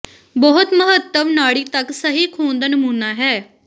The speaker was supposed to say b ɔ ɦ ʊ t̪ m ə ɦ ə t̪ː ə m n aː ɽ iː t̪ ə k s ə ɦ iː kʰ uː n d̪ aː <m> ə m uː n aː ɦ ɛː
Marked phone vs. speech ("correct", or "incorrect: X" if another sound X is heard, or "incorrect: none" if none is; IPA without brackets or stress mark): incorrect: n